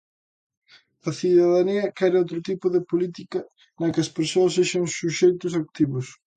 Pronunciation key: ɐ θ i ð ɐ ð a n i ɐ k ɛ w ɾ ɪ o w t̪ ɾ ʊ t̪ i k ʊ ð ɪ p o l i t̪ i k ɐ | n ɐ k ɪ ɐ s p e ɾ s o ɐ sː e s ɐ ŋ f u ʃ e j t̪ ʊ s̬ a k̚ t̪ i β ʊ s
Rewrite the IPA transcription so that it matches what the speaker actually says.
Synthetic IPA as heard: ɐ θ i ð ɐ ð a n i ɐ k ɛ ɾ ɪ o w t̪ ɾ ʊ t̪ i p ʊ ð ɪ p o l i t̪ i k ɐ | n ɐ k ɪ ɐ s p e ɾ s o ɐ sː e ʃ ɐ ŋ s u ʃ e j t̪ ʊ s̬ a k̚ t̪ i β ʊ s